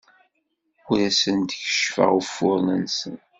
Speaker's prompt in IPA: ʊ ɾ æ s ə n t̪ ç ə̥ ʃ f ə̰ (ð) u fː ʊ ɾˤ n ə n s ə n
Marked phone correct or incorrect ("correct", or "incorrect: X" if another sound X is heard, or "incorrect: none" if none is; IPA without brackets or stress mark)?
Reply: incorrect: ʁ